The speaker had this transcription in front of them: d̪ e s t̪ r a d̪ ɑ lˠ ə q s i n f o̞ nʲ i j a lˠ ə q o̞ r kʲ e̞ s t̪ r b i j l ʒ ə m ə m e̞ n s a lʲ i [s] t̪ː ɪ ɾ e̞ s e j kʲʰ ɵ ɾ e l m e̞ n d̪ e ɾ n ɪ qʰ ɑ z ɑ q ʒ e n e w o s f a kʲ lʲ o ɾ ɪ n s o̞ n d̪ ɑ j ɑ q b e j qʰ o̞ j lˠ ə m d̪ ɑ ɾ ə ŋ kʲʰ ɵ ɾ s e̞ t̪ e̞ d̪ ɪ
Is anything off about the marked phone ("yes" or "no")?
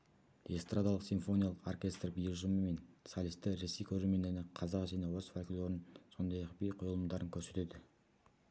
no